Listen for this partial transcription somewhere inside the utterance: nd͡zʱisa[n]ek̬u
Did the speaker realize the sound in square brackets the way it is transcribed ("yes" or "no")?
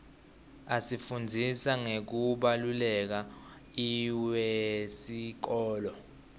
no